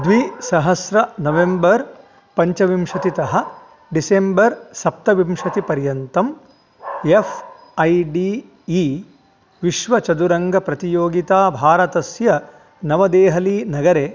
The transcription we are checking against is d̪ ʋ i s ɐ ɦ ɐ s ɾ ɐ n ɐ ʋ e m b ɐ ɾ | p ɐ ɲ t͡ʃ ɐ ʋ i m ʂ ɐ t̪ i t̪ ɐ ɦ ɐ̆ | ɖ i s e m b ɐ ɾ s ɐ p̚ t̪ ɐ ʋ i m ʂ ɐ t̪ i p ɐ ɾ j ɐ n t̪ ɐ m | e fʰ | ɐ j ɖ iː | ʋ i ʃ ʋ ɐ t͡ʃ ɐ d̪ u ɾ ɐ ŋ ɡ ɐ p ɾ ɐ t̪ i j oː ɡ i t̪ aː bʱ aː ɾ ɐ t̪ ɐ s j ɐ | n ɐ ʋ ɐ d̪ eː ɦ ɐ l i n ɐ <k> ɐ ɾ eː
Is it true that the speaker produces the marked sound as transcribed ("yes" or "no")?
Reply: no